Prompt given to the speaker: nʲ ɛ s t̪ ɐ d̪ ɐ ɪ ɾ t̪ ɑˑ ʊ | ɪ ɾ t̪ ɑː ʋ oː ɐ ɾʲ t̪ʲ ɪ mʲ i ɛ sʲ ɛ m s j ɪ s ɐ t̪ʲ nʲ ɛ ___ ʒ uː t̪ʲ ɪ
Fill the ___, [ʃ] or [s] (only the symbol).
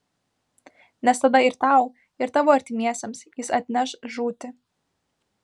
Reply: ʃ